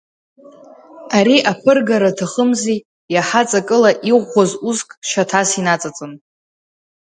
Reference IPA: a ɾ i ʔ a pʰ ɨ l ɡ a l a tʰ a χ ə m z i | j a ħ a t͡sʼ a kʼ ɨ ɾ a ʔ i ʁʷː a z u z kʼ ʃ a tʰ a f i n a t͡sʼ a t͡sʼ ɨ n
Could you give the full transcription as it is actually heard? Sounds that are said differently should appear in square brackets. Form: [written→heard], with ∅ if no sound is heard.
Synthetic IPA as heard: a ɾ i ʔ a pʰ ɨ [l→r] ɡ a [l→ɾ] a tʰ a χ ə m z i | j a ħ a t͡sʼ a kʼ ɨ [ɾ→l] a ʔ i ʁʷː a z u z kʼ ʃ a tʰ a [f→s] i n a t͡sʼ a t͡sʼ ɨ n